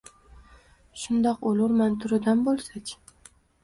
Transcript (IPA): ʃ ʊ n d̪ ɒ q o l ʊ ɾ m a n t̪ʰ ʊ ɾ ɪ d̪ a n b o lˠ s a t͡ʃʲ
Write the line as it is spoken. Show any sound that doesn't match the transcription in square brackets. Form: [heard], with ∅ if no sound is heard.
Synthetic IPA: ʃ ʊ n d̪ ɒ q o l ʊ ɾ m a n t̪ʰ ʊ ɾ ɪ d̪ a n b o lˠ s a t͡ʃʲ